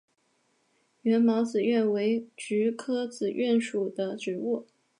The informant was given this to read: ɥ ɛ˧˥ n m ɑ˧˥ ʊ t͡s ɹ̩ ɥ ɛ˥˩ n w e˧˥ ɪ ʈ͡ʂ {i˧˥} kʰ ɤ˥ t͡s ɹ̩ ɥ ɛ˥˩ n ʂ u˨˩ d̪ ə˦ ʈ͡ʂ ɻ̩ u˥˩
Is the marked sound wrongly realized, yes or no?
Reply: yes